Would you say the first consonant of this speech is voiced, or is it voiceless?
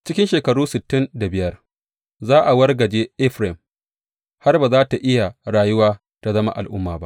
voiceless